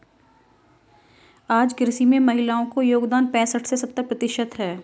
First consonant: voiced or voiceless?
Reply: voiced